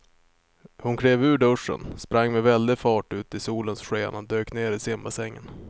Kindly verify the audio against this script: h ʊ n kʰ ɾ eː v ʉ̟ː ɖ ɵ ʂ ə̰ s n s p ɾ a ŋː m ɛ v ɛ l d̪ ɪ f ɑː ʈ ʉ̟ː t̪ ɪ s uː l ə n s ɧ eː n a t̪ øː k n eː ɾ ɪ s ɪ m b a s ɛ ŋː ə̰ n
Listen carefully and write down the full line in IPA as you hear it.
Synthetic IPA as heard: h ʊ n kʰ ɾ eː v ʉ̟ː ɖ ɵ ʂ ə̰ n s p ɾ a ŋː m ɛ v ɛ l d̪ ɪ f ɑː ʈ ʉ̟ː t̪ ɪ s uː l ə n s ɧ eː n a d̪ øː k n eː ɾ ɪ s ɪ m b a s ɛ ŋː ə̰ n